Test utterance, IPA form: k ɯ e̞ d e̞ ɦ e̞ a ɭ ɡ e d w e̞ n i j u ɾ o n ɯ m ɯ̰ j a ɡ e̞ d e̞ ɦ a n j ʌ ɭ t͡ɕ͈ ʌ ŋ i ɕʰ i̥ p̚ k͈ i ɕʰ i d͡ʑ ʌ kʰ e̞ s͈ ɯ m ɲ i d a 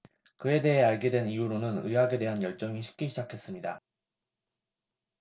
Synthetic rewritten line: k ɯ e̞ d e̞ ɦ e̞ a ɭ ɡ e d w e̞ n i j u ɾ o n ɯ n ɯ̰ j a ɡ e̞ d e̞ ɦ a n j ʌ ɭ t͡ɕ͈ ʌ ŋ i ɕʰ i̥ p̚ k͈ i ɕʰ i d͡ʑ a kʰ e̞ s͈ ɯ m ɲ i d a